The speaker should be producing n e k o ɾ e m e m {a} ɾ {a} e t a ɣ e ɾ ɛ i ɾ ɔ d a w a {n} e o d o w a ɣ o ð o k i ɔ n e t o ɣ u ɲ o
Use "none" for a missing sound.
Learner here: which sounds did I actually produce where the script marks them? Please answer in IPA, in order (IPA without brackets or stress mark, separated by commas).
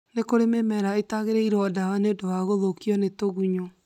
ɛ, a, n